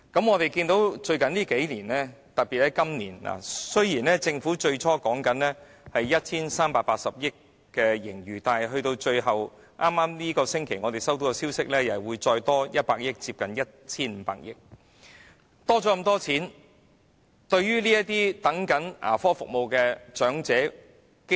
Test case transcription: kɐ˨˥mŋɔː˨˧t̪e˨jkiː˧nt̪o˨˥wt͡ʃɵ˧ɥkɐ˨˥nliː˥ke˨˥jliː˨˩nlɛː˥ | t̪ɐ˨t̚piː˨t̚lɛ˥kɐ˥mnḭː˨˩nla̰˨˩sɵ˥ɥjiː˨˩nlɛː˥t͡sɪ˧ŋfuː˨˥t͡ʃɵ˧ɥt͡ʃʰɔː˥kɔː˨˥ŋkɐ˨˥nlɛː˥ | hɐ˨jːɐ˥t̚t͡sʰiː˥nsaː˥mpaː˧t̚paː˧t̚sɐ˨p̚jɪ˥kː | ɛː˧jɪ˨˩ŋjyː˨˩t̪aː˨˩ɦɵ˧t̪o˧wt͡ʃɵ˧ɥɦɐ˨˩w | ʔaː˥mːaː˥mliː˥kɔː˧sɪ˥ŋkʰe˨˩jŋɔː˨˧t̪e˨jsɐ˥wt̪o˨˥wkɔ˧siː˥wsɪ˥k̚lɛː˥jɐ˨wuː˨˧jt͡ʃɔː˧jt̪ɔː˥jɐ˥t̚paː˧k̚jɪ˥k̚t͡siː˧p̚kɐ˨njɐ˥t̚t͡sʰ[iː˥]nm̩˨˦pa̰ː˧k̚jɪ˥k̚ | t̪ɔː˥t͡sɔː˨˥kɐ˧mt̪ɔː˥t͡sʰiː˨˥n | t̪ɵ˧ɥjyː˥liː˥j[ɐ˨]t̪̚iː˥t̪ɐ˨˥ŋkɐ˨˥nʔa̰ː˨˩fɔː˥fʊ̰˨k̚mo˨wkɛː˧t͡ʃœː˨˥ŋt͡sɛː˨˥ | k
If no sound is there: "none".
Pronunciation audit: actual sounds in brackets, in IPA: iː˥, ɐ˥

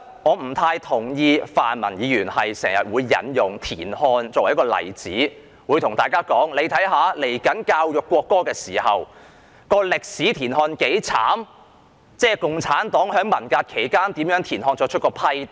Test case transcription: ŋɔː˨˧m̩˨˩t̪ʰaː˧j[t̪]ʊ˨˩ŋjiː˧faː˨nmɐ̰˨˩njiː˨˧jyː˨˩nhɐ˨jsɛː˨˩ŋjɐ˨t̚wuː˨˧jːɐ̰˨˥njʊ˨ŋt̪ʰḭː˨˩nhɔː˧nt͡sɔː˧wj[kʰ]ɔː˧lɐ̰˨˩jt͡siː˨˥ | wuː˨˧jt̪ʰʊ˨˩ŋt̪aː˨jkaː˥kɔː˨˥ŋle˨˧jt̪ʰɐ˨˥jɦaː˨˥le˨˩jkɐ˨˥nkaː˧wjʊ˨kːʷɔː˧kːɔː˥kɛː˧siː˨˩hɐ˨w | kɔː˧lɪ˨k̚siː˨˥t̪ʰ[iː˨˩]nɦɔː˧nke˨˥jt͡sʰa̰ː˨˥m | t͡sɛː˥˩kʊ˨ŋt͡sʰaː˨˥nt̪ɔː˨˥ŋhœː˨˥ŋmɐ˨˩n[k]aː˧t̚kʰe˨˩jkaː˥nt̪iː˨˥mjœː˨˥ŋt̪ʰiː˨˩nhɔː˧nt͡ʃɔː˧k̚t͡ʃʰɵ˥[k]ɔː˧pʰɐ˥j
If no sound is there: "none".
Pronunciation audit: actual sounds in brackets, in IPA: t̪ʰ, k, iː˨˩, k, k

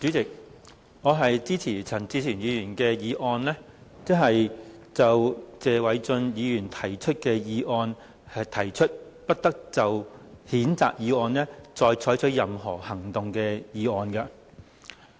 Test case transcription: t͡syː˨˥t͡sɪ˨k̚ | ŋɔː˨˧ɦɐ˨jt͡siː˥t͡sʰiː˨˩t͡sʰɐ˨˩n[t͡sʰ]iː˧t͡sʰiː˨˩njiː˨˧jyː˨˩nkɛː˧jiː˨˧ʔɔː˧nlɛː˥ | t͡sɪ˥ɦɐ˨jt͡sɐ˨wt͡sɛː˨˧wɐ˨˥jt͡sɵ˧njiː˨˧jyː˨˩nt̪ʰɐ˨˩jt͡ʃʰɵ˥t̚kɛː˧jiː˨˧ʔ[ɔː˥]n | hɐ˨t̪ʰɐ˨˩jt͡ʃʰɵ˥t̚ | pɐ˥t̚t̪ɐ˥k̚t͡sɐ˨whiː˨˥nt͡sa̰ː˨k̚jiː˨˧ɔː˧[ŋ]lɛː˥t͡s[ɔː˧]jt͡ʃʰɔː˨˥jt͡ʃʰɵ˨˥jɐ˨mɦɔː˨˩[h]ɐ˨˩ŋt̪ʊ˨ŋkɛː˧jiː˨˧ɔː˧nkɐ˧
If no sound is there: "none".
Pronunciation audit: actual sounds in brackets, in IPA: t͡s, ɔː˧, n, ɔː˧, h

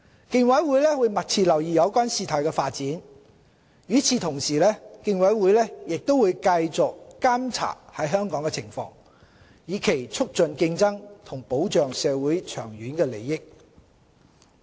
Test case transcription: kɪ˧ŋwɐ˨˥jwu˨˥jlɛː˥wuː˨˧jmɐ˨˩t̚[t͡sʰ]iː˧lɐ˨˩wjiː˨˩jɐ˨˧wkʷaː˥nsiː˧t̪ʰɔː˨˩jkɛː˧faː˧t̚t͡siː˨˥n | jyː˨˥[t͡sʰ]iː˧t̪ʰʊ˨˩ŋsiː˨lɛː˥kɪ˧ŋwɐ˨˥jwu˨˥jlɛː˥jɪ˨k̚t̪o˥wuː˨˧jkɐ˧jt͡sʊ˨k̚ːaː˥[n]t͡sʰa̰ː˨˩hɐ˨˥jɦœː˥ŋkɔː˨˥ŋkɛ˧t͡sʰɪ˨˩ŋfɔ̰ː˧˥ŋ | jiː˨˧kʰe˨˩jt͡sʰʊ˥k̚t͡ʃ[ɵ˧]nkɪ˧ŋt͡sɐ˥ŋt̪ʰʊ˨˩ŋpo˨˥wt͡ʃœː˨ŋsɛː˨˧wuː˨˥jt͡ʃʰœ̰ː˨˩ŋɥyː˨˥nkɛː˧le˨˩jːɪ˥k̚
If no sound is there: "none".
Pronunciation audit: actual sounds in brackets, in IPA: t͡sʰ, t͡sʰ, m, ɵ˧

